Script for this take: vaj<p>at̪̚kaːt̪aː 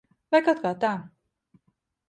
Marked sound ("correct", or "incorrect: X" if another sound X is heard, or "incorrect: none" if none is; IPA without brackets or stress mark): incorrect: k